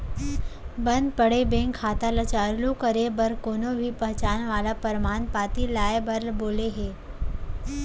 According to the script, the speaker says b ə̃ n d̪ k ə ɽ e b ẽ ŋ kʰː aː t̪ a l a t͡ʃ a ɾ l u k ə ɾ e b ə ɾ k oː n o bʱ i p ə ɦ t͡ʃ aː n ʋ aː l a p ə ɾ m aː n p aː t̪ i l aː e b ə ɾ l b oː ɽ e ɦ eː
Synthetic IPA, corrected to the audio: b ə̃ n d̪ p ə ɽ e b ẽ ŋ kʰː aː t̪ a l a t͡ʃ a ɾ l u k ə ɾ e b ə ɾ k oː n o bʱ i p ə ɦ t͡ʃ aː n ʋ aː l a p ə ɾ m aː n p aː t̪ i l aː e b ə ɾ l b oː l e ɦ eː